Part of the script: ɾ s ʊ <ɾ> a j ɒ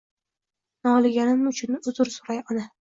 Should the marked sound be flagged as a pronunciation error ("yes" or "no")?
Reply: no